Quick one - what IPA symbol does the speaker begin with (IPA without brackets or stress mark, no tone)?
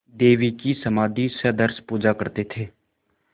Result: d̪